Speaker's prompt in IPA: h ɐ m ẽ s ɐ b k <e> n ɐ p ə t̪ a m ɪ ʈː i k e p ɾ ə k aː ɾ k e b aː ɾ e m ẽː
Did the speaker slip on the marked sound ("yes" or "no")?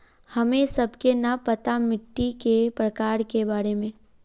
no